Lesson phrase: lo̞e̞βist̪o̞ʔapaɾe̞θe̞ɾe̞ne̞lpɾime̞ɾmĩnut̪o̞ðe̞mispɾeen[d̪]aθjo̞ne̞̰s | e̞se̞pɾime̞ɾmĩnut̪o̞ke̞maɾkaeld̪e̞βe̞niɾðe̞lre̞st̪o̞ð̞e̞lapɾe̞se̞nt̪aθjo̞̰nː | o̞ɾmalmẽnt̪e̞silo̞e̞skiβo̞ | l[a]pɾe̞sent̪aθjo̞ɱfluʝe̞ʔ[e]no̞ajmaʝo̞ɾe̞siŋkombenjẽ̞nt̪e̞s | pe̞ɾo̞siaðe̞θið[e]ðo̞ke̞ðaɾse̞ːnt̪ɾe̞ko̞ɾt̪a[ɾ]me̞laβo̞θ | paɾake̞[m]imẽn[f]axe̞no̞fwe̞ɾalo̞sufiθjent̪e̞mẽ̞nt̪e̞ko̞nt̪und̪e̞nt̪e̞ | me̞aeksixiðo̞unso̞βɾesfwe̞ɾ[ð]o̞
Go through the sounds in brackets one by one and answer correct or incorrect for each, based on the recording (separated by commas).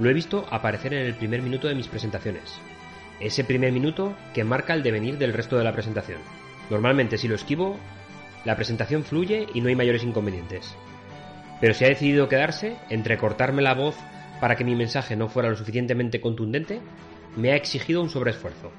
incorrect, correct, incorrect, incorrect, correct, correct, incorrect, incorrect